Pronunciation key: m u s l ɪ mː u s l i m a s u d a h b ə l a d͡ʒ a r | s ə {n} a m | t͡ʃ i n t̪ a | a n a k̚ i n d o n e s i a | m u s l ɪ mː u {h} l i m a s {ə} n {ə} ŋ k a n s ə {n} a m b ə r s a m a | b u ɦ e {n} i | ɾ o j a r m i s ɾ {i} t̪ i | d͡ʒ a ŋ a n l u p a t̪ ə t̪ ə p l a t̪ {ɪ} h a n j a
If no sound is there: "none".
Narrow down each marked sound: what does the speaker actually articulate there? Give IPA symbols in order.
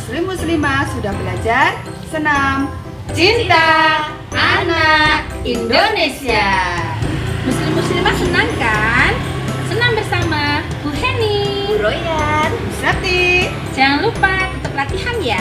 n, s, ə, a, n, n, a, i

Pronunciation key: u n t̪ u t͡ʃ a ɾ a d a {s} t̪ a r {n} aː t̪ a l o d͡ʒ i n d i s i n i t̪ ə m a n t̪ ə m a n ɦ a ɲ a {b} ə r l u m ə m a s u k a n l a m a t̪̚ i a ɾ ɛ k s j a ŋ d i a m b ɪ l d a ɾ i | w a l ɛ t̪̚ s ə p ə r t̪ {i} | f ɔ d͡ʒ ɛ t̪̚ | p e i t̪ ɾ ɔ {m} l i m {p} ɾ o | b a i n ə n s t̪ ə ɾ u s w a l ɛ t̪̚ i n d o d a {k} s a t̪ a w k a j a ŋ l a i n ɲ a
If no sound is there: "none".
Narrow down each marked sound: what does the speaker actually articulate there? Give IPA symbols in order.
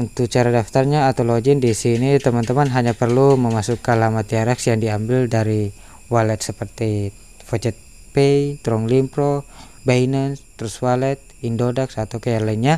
f, ɲ, p, i, ŋ, p, k

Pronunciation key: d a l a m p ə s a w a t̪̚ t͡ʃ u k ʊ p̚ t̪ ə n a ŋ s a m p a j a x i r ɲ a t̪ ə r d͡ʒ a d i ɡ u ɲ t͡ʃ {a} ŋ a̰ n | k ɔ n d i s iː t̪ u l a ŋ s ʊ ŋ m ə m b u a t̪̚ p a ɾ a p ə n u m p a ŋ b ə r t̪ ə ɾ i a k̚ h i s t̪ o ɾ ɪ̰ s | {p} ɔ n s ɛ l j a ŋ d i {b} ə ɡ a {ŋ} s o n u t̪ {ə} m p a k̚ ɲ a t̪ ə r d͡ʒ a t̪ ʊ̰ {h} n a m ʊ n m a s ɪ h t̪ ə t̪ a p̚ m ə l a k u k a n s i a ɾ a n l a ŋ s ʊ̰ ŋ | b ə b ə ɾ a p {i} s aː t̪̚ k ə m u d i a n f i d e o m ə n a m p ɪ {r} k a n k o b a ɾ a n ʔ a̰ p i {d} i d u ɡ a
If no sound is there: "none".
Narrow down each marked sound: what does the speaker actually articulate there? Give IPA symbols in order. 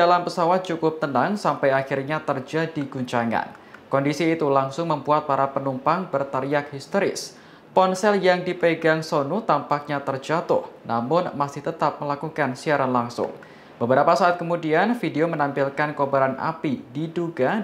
a, p, p, ŋ, a, h, a, l, d

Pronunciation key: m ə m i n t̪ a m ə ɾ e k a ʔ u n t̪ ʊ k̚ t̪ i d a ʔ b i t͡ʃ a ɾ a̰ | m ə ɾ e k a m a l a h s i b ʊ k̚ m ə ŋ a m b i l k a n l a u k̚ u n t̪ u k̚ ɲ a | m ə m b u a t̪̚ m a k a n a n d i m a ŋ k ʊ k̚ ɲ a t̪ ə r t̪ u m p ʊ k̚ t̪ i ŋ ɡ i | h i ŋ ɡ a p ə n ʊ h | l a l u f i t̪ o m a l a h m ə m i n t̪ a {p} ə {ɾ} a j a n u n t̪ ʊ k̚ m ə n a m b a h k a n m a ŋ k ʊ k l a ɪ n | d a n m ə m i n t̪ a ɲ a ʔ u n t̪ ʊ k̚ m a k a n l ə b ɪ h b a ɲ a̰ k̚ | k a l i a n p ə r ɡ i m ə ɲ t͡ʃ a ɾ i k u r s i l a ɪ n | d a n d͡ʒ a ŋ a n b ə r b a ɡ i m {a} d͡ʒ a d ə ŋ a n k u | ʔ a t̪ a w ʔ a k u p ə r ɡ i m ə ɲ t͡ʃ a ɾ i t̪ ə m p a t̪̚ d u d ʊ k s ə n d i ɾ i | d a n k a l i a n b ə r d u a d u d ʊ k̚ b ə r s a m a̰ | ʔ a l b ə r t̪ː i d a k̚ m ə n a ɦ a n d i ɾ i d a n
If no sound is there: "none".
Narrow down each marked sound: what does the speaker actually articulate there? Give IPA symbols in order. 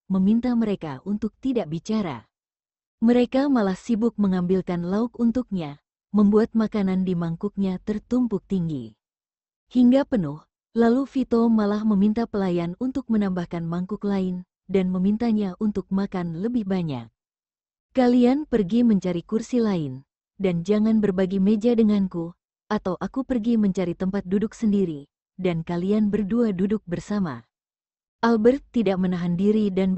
p, l, e

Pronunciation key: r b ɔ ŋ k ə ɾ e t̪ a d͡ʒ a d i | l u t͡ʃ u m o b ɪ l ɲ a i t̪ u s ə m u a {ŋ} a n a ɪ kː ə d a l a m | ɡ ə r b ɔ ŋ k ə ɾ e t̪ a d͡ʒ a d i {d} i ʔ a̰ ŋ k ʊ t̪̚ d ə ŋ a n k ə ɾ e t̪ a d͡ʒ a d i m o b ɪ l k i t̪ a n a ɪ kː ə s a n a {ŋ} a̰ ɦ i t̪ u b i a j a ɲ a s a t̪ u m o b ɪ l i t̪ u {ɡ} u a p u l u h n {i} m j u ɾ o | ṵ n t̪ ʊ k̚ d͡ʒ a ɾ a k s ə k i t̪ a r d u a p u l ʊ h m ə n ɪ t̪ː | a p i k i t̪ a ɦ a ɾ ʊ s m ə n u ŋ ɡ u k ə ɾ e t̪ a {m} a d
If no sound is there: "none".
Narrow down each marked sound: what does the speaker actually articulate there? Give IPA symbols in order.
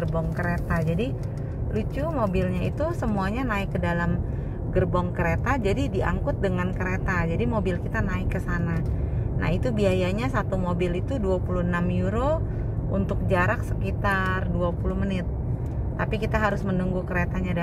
ɲ, d, n, d, a, ɲ

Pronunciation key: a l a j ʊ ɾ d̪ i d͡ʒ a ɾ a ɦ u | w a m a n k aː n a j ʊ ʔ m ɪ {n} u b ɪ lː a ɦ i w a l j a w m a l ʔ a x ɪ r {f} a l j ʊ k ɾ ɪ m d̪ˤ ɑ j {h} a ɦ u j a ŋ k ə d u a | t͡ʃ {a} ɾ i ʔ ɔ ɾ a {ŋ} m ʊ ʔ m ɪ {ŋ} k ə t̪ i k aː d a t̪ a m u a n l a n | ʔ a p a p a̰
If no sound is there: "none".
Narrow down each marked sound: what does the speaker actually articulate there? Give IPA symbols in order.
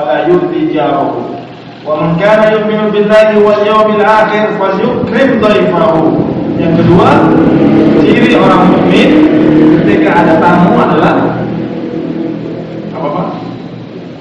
n, f, f, i, ŋ, n

